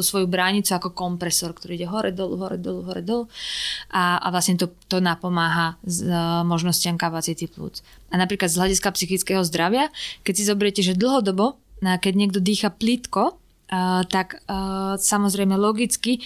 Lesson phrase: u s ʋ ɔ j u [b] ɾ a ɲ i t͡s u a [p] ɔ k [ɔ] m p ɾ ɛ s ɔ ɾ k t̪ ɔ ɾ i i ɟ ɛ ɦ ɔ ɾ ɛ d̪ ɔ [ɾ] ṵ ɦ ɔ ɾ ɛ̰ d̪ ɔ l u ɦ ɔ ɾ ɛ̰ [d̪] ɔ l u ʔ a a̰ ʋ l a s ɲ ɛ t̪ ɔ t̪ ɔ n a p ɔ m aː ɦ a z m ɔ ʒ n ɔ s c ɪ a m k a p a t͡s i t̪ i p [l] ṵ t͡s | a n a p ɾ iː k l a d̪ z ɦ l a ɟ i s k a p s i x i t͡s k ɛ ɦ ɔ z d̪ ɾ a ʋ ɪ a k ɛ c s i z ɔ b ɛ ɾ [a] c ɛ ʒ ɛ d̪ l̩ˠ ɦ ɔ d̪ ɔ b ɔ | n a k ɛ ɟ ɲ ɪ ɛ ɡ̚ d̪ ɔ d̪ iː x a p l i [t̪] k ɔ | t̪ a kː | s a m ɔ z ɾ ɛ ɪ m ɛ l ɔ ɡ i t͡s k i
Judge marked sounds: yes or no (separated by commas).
yes, no, yes, no, yes, yes, no, yes